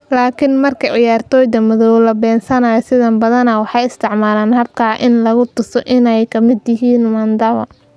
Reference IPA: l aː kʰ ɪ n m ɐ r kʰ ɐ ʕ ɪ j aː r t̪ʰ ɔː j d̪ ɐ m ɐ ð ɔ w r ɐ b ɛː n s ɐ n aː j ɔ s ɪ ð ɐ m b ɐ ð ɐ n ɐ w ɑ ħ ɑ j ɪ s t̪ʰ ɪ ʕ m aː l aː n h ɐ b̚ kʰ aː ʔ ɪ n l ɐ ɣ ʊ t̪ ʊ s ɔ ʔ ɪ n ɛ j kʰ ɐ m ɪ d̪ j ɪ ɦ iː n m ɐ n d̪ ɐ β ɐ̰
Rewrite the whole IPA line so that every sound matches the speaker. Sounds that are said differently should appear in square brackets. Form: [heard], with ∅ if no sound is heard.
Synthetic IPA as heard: l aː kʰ ɪ n m ɐ r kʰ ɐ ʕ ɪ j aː r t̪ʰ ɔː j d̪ ɐ m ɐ ð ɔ w [l] ɐ b ɛː n s ɐ n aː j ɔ s ɪ ð ɐ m b ɐ ð ɐ n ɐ w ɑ ħ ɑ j ɪ s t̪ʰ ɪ ʕ m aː l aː n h ɐ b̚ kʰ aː ʔ ɪ n l ɐ ɣ ʊ t̪ ʊ s ɔ ʔ ɪ n ɛ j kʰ ɐ m ɪ d̪ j ɪ ɦ iː n m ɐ n d̪ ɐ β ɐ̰

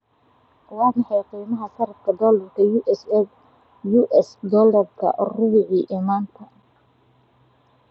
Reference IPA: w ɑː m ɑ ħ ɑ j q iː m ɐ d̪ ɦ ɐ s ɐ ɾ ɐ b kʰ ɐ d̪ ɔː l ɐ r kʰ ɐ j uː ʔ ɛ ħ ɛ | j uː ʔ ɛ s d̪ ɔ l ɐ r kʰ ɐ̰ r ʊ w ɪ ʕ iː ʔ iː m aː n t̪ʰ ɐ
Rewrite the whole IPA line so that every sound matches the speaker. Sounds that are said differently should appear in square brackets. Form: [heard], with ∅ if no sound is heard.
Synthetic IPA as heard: w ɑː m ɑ ħ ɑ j q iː m ɐ [∅] ɦ ɐ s ɐ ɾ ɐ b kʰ ɐ d̪ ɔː l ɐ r kʰ ɐ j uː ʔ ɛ [s] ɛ | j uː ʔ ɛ s d̪ ɔ l ɐ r kʰ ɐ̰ r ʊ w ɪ ʕ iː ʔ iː m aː n t̪ʰ ɐ

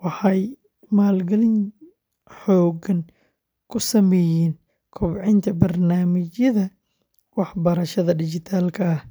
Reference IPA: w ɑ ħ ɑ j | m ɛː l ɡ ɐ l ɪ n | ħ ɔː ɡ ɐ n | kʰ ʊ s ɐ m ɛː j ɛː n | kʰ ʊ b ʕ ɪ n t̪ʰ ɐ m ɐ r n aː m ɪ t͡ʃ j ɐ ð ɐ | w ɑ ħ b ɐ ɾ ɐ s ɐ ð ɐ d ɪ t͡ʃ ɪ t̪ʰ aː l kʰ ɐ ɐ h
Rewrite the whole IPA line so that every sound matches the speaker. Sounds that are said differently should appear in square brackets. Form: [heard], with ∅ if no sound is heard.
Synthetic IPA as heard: w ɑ ħ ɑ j | m [aː] l ɡ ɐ l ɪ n | ħ ɔː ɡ ɐ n | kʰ ʊ s ɐ m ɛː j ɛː n | kʰ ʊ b ʕ ɪ n t̪ʰ ɐ [b] ɐ r n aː m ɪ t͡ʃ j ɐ ð ɐ | w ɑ ħ b ɐ ɾ ɐ [ʃ] ɐ ð ɐ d ɪ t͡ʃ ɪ t̪ʰ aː l kʰ ɐ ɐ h

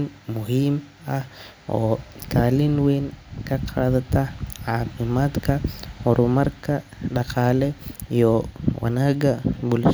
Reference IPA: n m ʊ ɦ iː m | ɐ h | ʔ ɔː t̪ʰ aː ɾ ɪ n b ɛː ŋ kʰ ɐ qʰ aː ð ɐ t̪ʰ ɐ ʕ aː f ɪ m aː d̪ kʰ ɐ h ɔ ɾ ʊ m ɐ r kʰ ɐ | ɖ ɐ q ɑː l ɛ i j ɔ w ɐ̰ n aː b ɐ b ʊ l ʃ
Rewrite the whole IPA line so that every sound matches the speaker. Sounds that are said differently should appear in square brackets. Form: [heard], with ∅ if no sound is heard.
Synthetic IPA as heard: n m ʊ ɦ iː m | ɐ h | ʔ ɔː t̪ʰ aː [l] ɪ n [w] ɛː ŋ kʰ ɐ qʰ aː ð ɐ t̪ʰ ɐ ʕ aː f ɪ m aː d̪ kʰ ɐ h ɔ ɾ ʊ m ɐ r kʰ ɐ | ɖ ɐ q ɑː l ɛ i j ɔ w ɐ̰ n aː [ɡ] ɐ b ʊ l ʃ

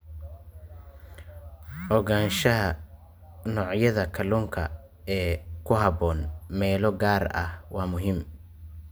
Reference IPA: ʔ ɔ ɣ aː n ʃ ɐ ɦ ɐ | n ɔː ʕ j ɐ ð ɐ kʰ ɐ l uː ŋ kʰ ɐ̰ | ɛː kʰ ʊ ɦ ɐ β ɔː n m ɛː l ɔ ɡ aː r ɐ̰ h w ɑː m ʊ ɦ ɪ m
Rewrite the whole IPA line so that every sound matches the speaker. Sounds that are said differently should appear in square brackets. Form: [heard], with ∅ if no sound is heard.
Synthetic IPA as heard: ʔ ɔ ɣ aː n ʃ ɐ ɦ ɐ | n ɔː ʕ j ɐ ð ɐ kʰ ɐ l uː ŋ kʰ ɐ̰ | ɛː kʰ ʊ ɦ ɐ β ɔː n m ɛː l ɔ ɡ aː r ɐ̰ h w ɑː m ʊ ɦ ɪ m

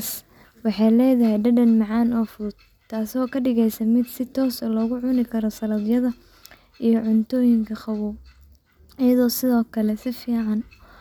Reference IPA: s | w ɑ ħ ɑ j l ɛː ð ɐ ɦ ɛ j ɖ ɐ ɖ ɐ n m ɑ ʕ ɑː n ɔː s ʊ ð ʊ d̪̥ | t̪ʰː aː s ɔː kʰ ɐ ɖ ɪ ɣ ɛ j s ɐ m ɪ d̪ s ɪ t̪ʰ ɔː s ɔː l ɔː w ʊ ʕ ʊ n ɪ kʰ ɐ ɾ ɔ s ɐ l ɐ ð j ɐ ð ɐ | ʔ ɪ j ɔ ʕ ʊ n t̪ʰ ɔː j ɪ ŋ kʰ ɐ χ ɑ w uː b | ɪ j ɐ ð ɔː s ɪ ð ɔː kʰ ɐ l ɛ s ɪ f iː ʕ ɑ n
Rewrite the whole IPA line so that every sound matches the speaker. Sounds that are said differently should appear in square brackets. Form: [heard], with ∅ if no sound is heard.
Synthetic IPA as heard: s | w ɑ ħ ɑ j l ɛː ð ɐ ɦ ɛ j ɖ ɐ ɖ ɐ n m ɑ ʕ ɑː n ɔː [f] ʊ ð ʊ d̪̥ | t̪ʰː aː s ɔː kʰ ɐ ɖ ɪ ɣ ɛ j s ɐ m ɪ d̪ s ɪ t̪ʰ ɔː s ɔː l ɔː [ɣ] ʊ ʕ ʊ n ɪ kʰ ɐ ɾ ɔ s ɐ l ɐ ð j ɐ ð ɐ | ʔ [i] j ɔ ʕ ʊ n t̪ʰ ɔː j ɪ ŋ kʰ ɐ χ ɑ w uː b | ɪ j ɐ ð ɔː s ɪ ð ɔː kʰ ɐ l ɛ s ɪ f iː ʕ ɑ n

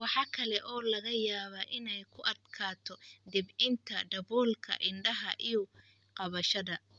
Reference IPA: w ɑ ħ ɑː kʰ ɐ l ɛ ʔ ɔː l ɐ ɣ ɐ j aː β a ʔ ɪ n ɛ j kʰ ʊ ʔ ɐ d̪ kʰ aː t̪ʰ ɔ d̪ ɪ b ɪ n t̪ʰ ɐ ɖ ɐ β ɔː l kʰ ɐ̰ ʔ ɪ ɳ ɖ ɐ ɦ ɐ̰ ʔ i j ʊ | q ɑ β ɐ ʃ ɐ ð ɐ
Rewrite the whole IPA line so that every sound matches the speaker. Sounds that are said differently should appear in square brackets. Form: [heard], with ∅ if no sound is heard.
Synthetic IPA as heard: w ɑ ħ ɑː kʰ ɐ l ɛ ʔ ɔː l ɐ ɣ ɐ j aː β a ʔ ɪ n ɛ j kʰ ʊ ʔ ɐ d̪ kʰ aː t̪ʰ ɔ d̪ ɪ b ɪ n t̪ʰ ɐ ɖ ɐ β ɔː l kʰ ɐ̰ ʔ ɪ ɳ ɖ ɐ ɦ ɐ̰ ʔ i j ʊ | q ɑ β ɐ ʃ ɐ ð ɐ

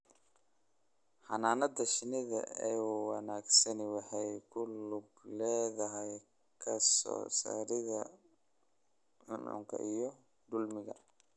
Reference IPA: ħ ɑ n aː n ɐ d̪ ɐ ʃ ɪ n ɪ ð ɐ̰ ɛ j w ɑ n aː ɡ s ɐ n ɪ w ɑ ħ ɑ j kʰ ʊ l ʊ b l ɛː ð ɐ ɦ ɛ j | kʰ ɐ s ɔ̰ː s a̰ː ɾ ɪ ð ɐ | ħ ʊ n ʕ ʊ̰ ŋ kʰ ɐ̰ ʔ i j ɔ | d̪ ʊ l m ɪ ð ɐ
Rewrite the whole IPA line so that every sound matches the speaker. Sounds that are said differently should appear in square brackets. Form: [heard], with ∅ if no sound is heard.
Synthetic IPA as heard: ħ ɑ n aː n ɐ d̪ ɐ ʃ ɪ n ɪ ð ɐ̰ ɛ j w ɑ n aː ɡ s ɐ n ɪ w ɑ ħ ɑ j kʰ ʊ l ʊ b l ɛː ð ɐ ɦ ɛ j | kʰ ɐ s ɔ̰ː s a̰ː ɾ ɪ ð ɐ | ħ ʊ n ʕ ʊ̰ ŋ kʰ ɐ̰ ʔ i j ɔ | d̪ ʊ l m ɪ [ɣ] ɐ

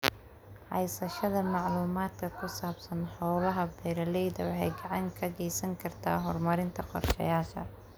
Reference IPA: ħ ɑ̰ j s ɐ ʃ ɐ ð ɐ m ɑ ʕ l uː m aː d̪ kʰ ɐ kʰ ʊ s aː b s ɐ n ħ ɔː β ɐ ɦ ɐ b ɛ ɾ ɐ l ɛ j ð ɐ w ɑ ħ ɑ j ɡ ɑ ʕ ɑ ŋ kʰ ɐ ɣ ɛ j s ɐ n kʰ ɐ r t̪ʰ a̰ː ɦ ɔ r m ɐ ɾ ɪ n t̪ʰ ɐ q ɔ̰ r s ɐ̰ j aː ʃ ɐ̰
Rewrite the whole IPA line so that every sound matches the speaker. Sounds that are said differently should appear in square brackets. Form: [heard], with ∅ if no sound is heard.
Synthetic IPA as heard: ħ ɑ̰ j s ɐ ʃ ɐ ð ɐ m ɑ ʕ l uː m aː d̪ kʰ ɐ kʰ ʊ s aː b s ɐ n ħ ɔː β ɐ ɦ ɐ b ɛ ɾ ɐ l ɛ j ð ɐ w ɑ ħ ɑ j ɡ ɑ ʕ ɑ ŋ kʰ ɐ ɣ ɛ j s ɐ [ŋ] kʰ ɐ r t̪ʰ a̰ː ɦ ɔ r m ɐ ɾ ɪ n t̪ʰ ɐ q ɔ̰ r [ʃ] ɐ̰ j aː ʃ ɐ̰

